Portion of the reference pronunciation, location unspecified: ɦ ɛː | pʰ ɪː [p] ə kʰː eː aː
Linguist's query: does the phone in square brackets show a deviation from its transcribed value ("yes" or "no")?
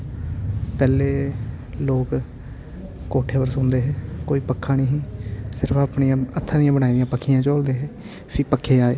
no